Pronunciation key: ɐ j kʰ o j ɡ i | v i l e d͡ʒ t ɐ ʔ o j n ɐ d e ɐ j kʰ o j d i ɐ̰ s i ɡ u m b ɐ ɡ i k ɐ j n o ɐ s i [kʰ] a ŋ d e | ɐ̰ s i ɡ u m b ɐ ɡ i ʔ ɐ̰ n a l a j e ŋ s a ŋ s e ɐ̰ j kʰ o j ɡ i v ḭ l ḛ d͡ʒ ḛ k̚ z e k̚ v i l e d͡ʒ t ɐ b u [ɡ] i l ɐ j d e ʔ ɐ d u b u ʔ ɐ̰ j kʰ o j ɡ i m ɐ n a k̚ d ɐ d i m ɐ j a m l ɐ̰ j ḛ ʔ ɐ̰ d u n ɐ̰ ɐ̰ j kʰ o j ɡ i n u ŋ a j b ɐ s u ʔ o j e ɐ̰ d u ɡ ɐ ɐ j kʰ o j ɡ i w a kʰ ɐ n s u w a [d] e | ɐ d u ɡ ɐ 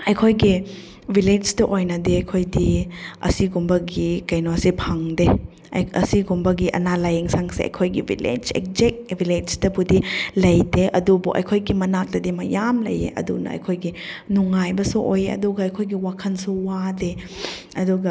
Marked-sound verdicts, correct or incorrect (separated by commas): incorrect, incorrect, correct